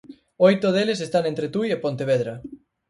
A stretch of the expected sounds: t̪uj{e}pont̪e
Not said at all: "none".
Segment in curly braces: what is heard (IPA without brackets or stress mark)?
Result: e